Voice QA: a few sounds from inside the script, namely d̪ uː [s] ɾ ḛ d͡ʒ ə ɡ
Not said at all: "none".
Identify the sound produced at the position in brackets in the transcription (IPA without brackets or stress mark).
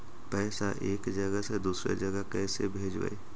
s